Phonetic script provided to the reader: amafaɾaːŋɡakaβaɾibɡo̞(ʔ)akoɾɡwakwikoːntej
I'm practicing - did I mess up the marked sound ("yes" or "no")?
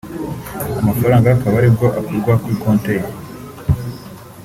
no